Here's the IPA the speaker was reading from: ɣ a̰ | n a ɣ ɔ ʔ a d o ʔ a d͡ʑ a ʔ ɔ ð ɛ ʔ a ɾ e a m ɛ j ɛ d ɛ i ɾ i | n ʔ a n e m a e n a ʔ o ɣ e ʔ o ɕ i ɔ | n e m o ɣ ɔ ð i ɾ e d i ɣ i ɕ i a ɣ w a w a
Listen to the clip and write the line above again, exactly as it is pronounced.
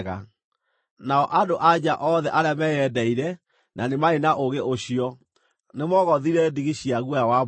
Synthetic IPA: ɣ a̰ | n a ɔ ʔ a d o ʔ a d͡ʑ a ʔ ɔ ð ɛ ʔ a ɾ e a m ɛ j ɛ d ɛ i ɾ ɛ | n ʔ a n e m a e n a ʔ o ɣ e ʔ o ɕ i ɔ | n e m ɔ ɣ ɔ ð i ɾ ɛ d i ɣ i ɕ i a ɣ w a w a